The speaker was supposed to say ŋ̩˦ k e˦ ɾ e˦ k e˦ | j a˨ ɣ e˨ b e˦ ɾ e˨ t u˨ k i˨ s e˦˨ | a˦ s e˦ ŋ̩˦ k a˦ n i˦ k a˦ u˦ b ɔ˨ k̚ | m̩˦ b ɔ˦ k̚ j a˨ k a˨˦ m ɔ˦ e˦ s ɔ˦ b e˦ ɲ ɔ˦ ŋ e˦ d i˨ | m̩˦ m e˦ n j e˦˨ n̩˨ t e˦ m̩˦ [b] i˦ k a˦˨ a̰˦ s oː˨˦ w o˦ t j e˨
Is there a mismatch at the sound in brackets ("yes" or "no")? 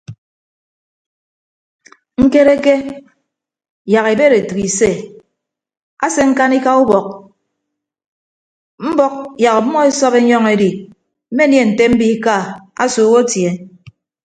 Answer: no